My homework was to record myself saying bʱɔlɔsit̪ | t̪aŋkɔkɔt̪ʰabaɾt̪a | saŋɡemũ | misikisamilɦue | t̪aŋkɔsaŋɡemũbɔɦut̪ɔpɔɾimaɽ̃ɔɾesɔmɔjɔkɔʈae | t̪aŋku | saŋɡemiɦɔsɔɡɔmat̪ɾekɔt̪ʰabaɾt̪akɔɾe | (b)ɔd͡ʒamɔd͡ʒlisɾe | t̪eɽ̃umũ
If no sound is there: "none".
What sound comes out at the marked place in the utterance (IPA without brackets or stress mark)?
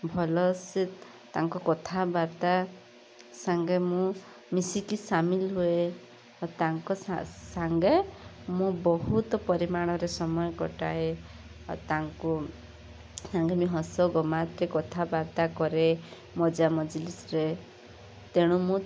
m